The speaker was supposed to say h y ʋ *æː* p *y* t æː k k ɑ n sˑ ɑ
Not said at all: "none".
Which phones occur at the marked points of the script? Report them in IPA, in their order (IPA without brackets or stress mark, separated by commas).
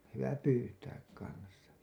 æ, yː